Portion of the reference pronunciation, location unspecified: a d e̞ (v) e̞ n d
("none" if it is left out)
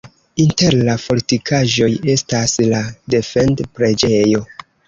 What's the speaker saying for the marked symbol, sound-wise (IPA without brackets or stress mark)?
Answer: f